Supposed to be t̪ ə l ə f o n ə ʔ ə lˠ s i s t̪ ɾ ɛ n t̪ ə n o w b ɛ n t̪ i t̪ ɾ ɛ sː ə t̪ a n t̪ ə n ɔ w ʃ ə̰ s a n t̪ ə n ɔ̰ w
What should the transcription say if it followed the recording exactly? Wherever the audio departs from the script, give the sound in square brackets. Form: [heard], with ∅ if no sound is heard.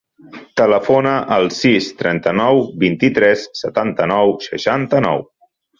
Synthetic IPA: t̪ ə l ə f o n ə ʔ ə lˠ s i s t̪ ɾ ɛ n t̪ ə n [ɔ] w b [i] n t̪ i t̪ ɾ ɛ sː ə t̪ a n t̪ ə n ɔ w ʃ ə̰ [ʃ] a n t̪ ə n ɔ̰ w